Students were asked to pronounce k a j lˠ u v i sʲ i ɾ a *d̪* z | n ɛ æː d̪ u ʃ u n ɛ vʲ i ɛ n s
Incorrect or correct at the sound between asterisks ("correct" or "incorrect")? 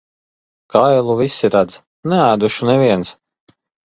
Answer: correct